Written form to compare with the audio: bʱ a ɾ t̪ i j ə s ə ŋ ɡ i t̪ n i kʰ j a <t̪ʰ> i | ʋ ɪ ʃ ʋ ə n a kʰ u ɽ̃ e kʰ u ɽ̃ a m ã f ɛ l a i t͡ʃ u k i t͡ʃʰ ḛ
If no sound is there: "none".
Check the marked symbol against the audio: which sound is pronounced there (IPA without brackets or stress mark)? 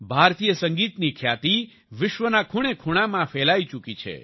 t̪